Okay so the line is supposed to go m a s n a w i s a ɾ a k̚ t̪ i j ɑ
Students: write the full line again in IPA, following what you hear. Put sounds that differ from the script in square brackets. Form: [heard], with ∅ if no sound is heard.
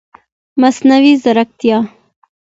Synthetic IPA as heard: m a s n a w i [z] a ɾ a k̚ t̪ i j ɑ